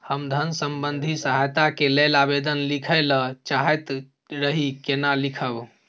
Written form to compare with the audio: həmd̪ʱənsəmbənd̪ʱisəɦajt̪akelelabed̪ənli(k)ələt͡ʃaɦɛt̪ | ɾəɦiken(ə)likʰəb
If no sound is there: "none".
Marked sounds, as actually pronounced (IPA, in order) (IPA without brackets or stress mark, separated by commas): kʰ, a